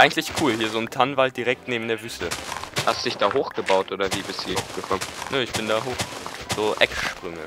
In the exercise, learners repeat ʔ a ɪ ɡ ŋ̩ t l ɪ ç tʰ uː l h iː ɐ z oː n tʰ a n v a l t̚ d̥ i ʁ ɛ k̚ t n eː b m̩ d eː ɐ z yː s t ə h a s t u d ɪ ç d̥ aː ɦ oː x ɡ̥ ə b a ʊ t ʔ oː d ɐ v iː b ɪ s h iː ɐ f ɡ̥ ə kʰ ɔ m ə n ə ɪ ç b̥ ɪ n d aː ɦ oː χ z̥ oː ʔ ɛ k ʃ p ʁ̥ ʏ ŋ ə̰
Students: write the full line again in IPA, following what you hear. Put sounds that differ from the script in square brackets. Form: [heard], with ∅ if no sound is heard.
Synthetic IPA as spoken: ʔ a ɪ ɡ ŋ̩ t l ɪ ç [kʰ] uː l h iː ɐ z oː n tʰ a n v a l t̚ d̥ i ʁ ɛ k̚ t n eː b m̩ d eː ɐ [v] yː s t ə h a s t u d ɪ ç d̥ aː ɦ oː x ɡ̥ ə b a ʊ t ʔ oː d ɐ v iː b ɪ s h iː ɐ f ɡ̥ ə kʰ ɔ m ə n ə ɪ ç b̥ ɪ n d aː ɦ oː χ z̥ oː ʔ ɛ k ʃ p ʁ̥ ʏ ŋ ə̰

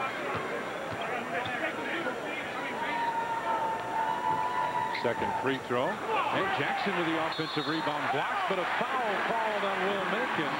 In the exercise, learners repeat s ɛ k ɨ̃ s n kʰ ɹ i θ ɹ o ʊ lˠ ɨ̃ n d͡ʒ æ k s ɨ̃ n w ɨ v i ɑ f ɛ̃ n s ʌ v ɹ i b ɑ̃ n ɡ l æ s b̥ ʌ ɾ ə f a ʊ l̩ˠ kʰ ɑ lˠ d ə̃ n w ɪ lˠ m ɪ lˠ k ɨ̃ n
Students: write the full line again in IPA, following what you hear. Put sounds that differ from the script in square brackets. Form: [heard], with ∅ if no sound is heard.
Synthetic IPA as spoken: s ɛ k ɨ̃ [∅] n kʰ ɹ i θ ɹ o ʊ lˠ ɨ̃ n d͡ʒ æ k s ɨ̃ n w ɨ [ð] i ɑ f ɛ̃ n s ʌ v ɹ i b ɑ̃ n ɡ l æ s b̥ ʌ ɾ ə f a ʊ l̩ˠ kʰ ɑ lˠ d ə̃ n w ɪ lˠ m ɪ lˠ k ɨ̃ n

